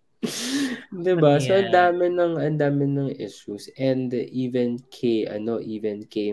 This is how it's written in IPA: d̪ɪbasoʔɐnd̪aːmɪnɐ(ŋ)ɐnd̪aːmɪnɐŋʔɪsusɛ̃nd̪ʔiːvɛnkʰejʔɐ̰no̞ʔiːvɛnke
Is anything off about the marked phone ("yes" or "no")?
no